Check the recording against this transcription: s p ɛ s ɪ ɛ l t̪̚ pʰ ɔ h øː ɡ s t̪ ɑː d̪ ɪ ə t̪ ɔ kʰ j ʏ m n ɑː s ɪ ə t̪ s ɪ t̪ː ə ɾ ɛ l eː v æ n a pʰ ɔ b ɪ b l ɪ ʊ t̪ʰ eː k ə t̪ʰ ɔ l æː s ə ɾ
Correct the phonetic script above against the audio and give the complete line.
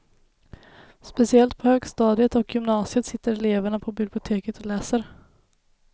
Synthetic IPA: s p ɛ s ɪ ɛ l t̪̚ pʰ ɔ h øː ɡ s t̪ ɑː d̪ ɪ ə t̪ ɔ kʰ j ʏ m n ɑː s ɪ ə t̪ s ɪ t̪ː ə ɾ ɛ l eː v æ ɳ a pʰ ɔ b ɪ b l ɪ ʊ t̪ʰ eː k ə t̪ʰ ɔ l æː s ə ɾ